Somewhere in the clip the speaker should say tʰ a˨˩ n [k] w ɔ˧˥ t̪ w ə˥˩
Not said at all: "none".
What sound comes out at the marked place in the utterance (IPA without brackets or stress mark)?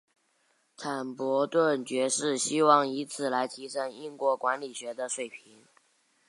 p